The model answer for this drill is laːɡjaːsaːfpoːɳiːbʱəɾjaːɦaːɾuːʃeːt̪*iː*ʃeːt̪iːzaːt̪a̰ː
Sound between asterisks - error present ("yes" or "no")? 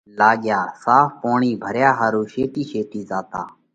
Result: no